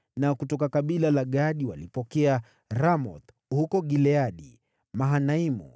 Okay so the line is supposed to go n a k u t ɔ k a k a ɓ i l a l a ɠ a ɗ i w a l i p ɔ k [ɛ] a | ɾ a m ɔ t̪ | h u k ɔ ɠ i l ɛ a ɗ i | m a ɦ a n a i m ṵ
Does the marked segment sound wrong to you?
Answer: no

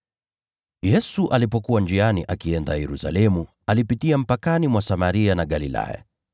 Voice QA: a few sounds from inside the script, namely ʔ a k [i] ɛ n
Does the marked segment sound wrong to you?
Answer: no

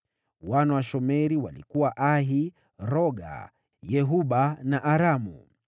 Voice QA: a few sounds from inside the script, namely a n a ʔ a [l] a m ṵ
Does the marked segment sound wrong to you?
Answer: yes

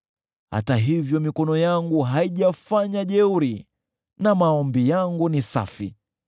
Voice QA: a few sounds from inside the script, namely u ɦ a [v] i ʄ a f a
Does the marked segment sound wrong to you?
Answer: yes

